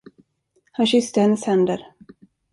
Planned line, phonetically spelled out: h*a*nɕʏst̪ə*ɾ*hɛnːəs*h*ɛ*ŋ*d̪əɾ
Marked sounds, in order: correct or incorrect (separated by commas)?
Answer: correct, incorrect, correct, incorrect